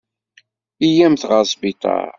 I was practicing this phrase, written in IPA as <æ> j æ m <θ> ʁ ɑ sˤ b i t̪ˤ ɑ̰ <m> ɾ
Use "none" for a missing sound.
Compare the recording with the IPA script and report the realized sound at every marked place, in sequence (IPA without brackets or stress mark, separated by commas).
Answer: i, θ, none